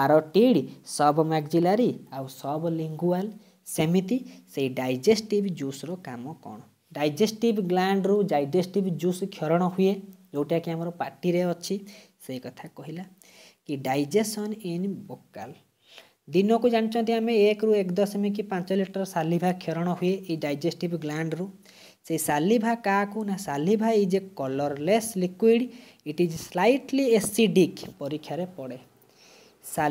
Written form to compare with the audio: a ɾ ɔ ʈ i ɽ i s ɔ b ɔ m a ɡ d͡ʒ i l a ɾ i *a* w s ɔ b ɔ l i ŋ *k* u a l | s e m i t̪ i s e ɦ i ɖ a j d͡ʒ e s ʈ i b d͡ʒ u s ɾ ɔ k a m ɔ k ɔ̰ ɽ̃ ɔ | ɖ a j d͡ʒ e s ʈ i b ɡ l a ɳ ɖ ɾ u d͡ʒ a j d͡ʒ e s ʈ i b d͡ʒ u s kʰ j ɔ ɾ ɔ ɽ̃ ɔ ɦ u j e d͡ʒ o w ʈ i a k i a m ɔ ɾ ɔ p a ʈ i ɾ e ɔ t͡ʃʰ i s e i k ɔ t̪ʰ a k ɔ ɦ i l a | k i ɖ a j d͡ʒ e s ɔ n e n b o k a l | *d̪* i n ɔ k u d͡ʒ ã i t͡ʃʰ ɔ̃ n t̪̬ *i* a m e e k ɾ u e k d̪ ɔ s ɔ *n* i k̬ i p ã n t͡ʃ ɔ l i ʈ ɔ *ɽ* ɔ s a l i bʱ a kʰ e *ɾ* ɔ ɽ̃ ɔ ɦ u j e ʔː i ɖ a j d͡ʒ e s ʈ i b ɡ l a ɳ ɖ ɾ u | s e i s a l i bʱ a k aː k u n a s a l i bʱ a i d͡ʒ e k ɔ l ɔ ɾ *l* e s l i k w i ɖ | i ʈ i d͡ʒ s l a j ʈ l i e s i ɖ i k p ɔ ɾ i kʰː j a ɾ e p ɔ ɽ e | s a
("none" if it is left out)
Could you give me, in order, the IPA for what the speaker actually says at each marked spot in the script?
a, ɡ, d̪, i, m, ɾ, ɾ, l

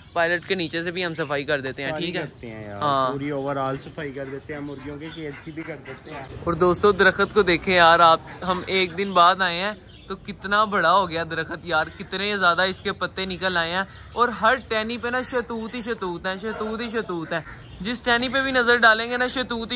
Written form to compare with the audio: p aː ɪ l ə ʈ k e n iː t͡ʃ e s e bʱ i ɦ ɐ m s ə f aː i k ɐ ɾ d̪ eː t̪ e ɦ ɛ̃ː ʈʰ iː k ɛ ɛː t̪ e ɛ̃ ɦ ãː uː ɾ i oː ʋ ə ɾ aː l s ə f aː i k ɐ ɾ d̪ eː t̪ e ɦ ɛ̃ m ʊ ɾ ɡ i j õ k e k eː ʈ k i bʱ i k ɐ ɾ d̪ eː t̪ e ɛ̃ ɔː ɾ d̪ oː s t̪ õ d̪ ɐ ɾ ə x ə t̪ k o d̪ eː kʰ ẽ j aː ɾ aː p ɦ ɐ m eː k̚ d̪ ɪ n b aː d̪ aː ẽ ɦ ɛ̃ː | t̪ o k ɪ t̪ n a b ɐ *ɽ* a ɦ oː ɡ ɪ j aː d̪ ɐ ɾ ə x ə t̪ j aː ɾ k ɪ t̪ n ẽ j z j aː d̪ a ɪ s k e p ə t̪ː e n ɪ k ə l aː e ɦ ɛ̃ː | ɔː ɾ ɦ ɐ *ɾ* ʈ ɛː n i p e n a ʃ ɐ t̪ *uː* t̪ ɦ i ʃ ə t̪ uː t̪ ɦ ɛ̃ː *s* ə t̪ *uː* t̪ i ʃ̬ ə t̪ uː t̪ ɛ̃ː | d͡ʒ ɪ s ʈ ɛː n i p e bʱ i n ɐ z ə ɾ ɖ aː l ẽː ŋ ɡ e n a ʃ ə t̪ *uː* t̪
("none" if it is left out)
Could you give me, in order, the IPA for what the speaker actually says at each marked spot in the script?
ɽ, ɾ, uː, ʃ, uː, uː

